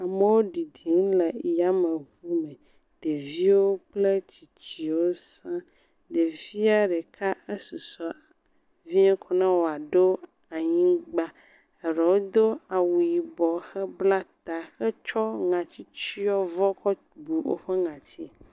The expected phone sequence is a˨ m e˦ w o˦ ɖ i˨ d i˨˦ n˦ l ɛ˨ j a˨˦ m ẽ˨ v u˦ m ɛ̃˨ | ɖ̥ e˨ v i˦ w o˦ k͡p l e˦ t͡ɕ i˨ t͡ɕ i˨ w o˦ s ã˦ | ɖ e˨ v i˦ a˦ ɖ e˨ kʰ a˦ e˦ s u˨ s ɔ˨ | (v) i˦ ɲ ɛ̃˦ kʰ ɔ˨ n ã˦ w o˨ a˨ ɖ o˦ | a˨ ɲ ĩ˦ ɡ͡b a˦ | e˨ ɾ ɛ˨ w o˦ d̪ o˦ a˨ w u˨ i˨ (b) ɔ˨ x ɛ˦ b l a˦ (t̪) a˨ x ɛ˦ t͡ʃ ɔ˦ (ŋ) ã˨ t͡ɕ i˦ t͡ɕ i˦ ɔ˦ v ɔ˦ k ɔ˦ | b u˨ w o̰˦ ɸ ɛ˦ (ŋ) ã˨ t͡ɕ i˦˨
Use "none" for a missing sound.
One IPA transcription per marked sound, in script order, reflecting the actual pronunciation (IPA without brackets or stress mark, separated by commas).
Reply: v, b, t̪, ŋ, ŋ